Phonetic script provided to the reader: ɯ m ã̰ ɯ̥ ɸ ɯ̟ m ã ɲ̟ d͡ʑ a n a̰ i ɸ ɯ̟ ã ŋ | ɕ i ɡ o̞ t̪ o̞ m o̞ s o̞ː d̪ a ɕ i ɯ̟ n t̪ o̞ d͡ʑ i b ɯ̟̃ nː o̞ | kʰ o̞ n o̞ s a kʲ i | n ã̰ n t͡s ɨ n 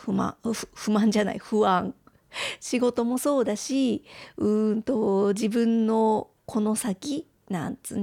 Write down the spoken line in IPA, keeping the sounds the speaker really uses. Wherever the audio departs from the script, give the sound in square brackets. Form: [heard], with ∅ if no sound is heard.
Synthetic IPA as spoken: ɯ m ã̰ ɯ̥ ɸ ɯ̟ m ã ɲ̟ d͡ʑ a n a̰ i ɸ ɯ̟ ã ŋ | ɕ i ɡ o̞ t̪ o̞ m o̞ s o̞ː d̪ a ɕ i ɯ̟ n t̪ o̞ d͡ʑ i b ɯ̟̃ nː o̞ | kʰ o̞ n o̞ s a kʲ i | n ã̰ n t͡s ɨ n